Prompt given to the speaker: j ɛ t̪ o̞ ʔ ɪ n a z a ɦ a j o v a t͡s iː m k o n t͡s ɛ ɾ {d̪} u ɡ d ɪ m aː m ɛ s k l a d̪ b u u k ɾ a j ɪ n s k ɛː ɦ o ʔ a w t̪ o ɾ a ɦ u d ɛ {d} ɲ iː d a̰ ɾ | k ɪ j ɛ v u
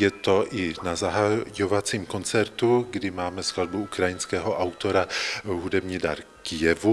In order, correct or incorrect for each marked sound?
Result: incorrect: t̪, incorrect: b

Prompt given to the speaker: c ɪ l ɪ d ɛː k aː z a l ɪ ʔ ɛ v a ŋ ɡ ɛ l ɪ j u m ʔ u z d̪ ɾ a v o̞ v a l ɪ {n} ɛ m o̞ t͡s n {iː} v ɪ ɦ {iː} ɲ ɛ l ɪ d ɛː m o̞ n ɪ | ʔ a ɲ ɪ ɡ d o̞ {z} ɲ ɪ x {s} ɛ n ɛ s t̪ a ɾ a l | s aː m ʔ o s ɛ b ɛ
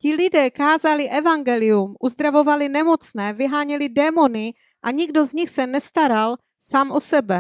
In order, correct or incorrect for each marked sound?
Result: correct, incorrect: ɛː, incorrect: aː, correct, correct

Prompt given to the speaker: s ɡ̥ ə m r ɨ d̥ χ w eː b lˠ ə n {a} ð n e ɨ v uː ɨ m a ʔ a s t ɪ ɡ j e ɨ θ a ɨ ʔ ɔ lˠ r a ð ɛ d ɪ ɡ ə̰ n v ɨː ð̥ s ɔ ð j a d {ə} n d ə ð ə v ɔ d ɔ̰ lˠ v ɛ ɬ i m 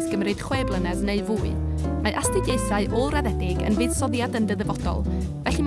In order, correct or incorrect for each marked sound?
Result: incorrect: ɛ, correct

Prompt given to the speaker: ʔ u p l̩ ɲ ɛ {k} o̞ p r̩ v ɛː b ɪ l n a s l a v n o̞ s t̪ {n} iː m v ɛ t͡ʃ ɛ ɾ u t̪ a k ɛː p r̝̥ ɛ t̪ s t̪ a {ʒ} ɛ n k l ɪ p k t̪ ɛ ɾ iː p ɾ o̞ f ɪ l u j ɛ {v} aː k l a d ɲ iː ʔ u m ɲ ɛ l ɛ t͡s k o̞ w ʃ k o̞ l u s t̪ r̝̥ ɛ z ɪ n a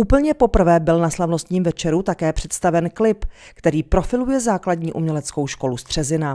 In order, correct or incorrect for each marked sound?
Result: incorrect: p, incorrect: ɲ, incorrect: v, incorrect: z

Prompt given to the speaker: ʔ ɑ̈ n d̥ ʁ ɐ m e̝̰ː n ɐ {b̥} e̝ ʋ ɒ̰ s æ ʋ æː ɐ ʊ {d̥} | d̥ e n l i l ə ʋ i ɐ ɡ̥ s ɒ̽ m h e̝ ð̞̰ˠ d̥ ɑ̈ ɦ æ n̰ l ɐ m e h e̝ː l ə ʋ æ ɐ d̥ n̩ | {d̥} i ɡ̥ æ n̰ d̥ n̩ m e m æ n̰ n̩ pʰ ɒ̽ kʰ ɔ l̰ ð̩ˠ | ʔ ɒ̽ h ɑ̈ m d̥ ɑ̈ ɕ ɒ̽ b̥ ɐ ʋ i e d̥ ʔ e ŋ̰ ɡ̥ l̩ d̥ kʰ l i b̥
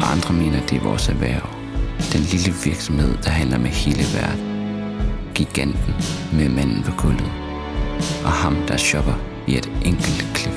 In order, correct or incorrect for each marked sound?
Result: incorrect: d̥, incorrect: none, incorrect: ɡ̥

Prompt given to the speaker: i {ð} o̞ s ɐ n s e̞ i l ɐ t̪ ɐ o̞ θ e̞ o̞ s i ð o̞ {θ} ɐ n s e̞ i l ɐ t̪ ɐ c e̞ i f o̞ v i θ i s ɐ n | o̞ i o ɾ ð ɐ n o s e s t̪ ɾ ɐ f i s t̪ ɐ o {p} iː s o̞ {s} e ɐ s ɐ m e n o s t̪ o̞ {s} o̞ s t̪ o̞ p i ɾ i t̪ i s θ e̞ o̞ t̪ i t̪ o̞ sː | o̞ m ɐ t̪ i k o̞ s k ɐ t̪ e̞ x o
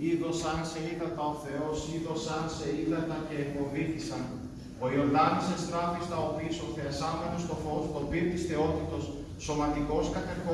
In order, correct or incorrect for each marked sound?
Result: correct, incorrect: s, correct, incorrect: θ, incorrect: f

